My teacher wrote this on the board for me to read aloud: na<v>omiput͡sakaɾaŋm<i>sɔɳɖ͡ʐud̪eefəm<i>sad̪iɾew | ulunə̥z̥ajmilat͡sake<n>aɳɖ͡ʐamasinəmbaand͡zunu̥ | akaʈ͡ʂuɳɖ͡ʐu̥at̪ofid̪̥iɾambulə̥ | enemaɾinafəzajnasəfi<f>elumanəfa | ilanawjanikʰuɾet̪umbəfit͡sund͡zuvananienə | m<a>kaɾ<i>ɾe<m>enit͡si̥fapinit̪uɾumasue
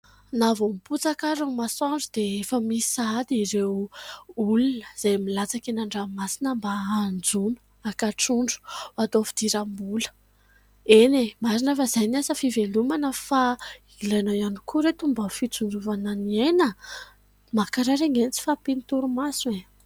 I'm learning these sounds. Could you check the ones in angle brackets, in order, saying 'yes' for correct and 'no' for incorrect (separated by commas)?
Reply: yes, no, yes, yes, no, yes, no, no